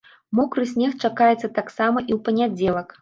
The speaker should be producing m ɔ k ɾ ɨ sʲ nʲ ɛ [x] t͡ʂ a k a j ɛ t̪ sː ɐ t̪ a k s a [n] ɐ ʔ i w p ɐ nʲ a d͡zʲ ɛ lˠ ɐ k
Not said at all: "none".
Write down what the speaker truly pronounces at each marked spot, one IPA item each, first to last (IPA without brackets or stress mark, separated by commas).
x, m